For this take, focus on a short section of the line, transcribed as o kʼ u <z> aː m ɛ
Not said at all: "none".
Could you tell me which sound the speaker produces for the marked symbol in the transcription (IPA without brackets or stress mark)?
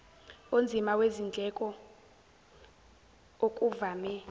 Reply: v